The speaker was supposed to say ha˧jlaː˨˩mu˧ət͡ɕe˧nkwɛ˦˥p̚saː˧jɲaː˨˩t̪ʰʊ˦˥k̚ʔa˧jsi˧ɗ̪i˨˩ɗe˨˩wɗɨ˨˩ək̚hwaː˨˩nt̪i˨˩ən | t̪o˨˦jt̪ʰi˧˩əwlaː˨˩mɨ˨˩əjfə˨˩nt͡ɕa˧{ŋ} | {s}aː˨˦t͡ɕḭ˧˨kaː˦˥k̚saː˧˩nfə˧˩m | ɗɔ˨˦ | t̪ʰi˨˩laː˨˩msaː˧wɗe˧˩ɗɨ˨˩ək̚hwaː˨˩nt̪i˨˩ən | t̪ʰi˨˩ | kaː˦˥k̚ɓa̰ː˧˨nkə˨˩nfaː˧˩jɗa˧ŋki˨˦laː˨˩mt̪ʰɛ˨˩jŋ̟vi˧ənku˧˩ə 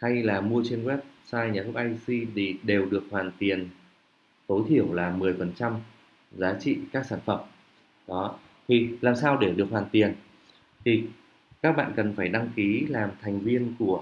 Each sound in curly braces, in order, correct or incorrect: incorrect: m, incorrect: z

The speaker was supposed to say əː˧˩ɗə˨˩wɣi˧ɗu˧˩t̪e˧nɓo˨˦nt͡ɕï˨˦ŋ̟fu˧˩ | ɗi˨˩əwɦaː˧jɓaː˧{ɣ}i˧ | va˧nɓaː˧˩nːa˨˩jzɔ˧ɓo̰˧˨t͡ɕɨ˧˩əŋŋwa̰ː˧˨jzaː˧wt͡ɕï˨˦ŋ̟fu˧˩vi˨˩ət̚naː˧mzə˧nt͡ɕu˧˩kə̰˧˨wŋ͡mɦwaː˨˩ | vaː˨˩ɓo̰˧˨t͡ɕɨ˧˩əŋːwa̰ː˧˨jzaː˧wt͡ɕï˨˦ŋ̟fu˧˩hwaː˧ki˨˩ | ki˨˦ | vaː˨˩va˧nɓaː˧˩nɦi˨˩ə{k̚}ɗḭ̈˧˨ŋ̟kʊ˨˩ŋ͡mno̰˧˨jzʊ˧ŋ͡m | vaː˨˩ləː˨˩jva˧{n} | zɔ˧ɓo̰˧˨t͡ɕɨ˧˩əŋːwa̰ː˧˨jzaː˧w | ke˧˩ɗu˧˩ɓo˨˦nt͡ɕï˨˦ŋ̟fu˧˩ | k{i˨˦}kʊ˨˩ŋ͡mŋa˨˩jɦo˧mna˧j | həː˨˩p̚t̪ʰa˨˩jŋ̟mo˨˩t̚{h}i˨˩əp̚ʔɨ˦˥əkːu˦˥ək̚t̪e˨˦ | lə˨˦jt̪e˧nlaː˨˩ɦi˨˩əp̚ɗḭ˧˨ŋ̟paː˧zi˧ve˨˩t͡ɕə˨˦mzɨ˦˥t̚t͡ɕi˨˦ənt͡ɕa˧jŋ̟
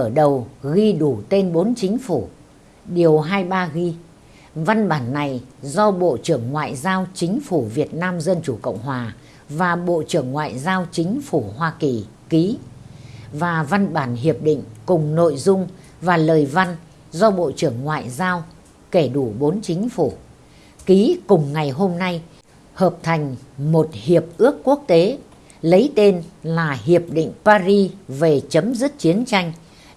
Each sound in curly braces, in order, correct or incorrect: correct, incorrect: p̚, correct, correct, correct

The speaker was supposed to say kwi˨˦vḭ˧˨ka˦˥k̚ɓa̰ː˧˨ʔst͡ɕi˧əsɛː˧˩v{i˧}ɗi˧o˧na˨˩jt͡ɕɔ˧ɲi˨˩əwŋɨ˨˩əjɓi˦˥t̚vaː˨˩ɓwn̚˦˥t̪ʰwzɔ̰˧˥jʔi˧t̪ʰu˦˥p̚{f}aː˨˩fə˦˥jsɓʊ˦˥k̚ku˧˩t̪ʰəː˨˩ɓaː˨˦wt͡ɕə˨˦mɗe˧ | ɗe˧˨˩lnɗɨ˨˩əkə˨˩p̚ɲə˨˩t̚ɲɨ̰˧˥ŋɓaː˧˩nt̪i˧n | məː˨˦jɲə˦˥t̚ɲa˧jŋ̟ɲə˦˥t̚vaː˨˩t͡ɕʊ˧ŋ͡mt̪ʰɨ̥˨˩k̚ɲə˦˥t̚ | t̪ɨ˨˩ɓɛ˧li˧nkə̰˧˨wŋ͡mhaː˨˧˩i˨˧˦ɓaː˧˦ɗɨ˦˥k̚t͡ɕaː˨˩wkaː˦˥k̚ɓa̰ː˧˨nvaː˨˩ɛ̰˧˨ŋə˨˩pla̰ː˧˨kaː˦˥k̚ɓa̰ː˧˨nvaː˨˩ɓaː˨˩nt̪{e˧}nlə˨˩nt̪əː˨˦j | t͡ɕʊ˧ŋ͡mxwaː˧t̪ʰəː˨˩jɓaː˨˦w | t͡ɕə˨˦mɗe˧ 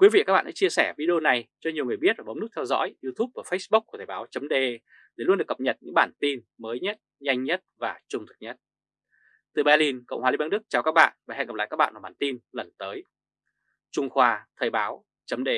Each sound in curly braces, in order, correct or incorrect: correct, incorrect: v, incorrect: i˧

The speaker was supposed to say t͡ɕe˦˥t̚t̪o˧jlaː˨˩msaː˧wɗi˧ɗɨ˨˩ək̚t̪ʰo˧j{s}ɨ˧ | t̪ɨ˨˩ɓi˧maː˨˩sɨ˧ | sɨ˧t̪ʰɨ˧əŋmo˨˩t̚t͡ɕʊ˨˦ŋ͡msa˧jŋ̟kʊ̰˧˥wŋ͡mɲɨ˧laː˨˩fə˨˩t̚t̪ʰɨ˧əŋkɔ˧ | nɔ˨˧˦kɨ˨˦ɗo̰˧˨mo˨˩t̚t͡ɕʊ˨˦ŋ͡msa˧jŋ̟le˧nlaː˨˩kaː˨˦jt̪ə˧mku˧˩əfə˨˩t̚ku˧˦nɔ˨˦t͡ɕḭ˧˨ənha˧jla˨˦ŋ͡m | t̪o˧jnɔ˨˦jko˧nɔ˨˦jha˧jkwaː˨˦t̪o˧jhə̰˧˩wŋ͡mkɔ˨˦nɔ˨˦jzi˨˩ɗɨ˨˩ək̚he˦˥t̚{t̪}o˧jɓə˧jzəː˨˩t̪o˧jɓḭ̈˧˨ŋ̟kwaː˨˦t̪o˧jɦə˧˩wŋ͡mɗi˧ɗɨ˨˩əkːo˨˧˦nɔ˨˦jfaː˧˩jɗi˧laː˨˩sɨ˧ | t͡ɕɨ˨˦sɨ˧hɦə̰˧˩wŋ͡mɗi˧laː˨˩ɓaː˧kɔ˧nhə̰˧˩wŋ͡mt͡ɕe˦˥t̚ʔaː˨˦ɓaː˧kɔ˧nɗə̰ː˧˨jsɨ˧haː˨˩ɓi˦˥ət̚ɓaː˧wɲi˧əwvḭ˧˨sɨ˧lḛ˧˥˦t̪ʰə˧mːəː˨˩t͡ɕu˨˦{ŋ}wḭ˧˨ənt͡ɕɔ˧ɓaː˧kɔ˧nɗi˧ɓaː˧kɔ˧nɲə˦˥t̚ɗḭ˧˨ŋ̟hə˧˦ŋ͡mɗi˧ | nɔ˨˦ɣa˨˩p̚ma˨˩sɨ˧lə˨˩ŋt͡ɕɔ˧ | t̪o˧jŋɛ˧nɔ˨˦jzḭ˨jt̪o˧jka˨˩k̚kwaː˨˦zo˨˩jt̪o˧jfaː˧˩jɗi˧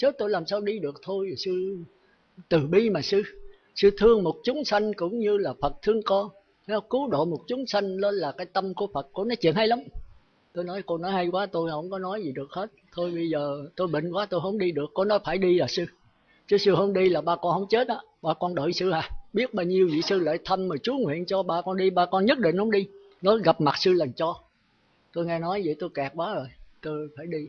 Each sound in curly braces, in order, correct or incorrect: correct, incorrect: t̪ʰ, correct

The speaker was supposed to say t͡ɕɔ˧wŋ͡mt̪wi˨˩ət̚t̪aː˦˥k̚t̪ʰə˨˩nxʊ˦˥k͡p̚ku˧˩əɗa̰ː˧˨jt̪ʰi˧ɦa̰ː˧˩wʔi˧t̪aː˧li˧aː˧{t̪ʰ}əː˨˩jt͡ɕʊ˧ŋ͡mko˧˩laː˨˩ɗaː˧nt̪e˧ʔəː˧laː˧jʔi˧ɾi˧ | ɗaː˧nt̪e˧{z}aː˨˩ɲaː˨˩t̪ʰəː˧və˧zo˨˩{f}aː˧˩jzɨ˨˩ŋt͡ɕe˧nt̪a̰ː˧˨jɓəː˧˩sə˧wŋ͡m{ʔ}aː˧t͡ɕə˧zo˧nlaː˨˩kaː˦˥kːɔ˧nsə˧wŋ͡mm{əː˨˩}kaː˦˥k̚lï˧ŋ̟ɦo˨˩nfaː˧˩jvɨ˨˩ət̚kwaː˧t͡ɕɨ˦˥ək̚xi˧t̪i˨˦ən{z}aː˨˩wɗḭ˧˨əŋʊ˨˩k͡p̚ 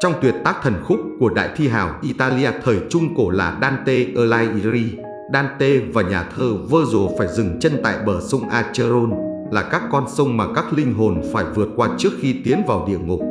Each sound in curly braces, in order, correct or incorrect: correct, incorrect: v, correct, correct, incorrect: aː˨˩, incorrect: v

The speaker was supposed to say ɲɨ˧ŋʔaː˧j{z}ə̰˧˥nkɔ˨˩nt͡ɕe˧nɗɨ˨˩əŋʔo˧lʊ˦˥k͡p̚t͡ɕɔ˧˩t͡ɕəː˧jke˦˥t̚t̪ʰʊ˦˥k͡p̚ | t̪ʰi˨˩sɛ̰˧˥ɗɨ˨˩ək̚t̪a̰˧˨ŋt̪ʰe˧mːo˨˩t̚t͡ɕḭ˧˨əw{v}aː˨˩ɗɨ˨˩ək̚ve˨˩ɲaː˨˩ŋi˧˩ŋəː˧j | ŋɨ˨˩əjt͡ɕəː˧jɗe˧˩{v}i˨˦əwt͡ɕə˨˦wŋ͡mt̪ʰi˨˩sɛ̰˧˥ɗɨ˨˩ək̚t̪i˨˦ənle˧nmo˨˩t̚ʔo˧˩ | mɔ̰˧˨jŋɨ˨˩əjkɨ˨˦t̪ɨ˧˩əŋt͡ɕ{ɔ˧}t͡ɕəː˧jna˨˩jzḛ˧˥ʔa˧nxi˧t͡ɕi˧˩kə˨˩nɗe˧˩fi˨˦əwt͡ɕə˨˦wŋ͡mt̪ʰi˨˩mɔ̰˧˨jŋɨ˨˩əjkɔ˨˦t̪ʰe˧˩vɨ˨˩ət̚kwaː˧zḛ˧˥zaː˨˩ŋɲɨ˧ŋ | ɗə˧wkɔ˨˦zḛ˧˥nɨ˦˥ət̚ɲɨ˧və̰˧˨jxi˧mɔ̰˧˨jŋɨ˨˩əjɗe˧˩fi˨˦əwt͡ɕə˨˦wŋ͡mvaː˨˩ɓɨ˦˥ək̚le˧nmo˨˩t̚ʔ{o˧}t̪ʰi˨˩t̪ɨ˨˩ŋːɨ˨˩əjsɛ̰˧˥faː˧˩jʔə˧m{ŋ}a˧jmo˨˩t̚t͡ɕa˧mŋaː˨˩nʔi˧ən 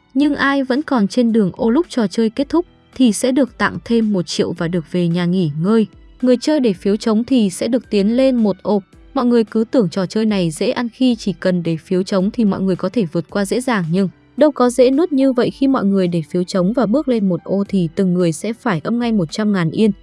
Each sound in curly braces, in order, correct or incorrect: incorrect: v, correct, incorrect: f, incorrect: ɔ˨˩, correct, correct

